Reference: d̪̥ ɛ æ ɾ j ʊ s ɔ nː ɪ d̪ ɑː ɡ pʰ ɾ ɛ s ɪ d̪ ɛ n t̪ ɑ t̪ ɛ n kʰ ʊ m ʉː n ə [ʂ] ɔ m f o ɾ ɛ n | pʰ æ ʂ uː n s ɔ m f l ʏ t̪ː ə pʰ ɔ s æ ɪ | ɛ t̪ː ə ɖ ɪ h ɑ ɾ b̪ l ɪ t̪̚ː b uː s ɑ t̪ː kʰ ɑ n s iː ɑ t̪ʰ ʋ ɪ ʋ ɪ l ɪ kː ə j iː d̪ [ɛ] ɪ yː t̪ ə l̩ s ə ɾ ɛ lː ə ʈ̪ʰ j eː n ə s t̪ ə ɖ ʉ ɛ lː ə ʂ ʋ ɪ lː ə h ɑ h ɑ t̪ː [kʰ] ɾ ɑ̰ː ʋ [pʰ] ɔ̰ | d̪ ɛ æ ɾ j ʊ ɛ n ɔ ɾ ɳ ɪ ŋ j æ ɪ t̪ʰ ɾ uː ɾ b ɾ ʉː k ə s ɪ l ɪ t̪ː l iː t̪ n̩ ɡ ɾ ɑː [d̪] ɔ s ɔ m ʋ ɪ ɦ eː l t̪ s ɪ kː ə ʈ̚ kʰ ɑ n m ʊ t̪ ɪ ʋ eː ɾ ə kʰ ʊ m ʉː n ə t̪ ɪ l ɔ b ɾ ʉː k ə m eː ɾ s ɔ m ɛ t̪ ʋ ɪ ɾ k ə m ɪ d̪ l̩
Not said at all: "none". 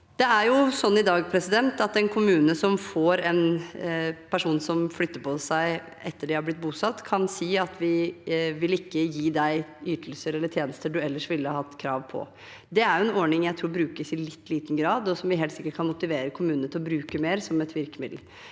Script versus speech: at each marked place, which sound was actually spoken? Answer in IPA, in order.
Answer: s, æ, kʰ, pʰ, d̪

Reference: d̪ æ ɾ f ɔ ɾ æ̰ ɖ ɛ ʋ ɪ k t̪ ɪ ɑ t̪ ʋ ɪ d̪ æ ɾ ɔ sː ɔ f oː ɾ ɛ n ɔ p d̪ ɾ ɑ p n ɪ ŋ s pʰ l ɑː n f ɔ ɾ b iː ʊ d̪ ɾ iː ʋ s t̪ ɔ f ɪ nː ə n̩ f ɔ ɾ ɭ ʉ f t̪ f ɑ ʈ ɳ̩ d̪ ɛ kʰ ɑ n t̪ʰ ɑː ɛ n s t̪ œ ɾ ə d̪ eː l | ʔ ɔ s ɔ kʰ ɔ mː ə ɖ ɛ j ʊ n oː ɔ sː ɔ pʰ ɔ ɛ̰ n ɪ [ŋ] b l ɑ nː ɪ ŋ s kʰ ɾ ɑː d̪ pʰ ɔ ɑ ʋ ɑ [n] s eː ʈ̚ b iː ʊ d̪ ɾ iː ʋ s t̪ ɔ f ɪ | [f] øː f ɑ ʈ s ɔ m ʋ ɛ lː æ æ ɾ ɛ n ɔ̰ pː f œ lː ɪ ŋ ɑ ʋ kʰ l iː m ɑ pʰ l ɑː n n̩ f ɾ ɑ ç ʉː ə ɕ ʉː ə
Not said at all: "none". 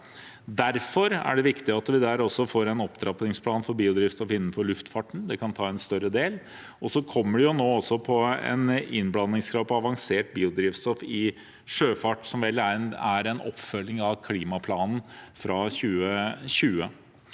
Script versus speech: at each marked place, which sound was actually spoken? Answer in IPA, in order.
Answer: n, ŋ, ʂ

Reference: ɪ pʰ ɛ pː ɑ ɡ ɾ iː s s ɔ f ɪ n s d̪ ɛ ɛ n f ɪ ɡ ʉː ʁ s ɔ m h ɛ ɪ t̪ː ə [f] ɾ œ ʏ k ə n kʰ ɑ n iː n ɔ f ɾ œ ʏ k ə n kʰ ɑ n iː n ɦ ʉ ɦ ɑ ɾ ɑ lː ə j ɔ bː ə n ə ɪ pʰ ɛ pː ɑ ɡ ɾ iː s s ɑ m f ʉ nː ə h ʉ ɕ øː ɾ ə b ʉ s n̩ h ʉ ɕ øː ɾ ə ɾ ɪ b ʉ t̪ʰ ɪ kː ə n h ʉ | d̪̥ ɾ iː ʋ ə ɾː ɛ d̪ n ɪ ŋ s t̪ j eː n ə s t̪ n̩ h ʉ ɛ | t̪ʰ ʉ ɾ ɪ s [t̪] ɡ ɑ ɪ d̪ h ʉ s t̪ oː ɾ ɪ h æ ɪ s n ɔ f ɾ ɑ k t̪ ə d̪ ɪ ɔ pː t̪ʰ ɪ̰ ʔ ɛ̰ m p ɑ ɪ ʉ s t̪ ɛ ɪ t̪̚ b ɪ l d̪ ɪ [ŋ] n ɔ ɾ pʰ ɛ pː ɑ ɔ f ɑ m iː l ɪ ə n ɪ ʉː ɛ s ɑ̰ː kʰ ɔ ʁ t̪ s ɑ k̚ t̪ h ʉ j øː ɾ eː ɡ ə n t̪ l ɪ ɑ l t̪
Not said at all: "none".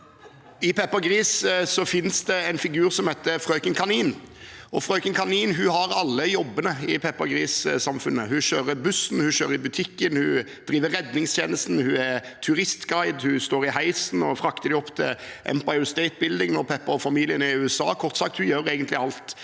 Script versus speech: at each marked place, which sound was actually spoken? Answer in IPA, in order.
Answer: f, t̪, ŋ

